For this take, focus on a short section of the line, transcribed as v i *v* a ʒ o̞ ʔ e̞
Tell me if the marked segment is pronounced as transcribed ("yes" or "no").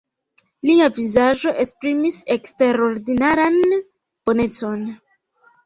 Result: no